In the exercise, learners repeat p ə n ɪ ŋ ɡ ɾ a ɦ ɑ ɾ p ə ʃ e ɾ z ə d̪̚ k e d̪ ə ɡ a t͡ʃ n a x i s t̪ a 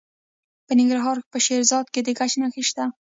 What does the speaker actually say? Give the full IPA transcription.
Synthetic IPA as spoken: p ə n ɪ ŋ ɡ ɾ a ɦ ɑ ɾ p ə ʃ e ɾ z ɑ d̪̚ k e d̪ ə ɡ a t͡ʃ n a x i ʃ t̪ a